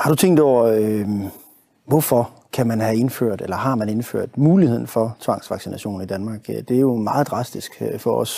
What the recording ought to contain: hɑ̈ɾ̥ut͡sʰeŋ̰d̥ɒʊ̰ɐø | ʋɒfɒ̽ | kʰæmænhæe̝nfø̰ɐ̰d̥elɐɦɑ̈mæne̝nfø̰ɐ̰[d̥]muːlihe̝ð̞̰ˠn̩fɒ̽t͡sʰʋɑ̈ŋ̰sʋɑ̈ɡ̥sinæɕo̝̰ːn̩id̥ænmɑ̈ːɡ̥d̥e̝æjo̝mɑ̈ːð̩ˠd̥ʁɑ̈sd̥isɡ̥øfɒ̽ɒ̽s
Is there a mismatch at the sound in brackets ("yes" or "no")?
no